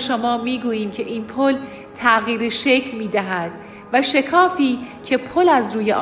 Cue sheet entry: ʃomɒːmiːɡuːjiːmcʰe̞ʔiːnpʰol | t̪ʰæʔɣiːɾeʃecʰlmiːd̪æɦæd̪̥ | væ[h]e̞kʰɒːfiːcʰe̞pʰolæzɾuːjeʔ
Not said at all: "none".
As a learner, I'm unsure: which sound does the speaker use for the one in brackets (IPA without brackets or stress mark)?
ʃ